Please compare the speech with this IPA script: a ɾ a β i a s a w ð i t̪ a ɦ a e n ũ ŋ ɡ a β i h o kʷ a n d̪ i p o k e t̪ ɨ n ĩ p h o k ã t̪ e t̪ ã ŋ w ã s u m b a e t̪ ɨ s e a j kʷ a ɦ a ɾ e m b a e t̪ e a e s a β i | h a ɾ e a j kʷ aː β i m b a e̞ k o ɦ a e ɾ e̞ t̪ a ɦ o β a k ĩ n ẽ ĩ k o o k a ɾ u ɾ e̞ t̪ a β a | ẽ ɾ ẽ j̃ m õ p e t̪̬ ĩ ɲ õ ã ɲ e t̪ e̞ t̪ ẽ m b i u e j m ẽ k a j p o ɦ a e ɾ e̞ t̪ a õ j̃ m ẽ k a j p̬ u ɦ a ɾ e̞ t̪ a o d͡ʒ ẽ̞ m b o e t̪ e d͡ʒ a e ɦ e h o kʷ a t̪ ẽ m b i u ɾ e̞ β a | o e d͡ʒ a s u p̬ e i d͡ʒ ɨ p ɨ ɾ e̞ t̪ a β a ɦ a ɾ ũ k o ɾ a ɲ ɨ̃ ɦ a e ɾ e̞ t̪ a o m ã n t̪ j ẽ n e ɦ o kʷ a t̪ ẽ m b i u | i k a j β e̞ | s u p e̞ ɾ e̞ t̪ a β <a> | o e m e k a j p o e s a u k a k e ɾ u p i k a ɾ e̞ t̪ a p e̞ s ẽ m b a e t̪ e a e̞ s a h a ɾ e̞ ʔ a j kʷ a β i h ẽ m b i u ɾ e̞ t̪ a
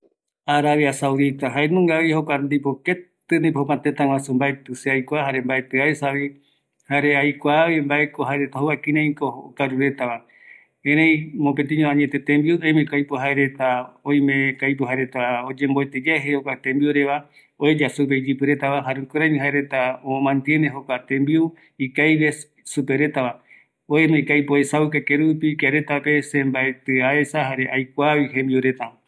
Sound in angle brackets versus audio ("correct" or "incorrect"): correct